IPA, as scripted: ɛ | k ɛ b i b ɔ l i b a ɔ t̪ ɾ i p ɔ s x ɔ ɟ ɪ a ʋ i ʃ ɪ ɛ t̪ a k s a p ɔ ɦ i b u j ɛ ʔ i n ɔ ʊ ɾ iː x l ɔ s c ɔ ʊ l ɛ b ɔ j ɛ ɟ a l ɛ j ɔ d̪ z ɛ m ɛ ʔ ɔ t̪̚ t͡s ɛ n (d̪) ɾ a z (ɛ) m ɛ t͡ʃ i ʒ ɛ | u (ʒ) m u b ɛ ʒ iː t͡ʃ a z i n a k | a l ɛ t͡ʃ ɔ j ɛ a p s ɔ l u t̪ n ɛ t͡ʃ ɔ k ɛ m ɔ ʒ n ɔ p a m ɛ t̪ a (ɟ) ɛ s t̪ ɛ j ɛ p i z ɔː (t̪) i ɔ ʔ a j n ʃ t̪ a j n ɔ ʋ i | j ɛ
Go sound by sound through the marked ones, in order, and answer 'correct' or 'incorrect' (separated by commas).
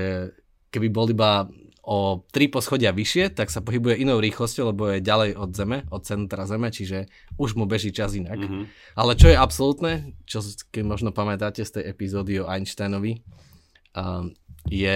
incorrect, correct, correct, incorrect, incorrect